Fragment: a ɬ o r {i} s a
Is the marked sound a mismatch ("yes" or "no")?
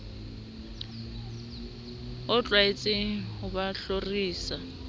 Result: yes